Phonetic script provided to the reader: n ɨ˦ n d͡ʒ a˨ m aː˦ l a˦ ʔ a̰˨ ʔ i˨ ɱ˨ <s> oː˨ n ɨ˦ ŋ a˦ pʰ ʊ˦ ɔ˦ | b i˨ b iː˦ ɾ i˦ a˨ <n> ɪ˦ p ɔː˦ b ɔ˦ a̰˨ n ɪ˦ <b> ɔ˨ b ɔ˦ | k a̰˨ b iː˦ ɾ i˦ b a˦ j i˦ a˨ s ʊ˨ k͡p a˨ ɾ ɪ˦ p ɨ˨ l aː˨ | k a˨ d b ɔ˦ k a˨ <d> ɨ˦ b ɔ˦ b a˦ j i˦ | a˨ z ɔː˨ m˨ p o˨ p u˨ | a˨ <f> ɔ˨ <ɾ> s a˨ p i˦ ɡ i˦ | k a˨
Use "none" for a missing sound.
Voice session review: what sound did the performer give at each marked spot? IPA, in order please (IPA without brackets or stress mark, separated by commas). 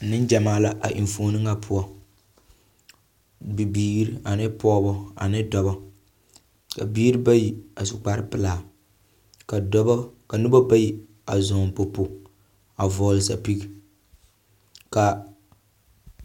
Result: f, n, d, n, v, l